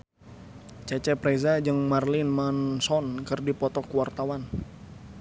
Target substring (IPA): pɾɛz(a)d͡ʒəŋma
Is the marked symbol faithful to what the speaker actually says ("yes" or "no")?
yes